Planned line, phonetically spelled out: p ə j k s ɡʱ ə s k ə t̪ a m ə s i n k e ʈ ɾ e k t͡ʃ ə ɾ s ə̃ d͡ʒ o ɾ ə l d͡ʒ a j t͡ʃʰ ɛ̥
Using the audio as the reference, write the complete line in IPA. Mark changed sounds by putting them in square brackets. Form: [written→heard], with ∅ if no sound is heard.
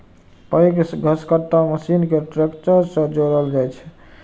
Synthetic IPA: p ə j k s ɡʱ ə s k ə t̪ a m ə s i n k e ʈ ɾ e k t͡ʃ ə ɾ s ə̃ d͡ʒ o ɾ ə l d͡ʒ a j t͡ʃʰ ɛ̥